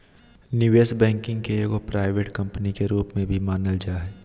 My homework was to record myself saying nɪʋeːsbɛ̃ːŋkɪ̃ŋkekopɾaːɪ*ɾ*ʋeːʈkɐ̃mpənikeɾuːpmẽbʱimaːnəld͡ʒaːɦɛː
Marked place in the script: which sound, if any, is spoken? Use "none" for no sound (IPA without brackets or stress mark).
none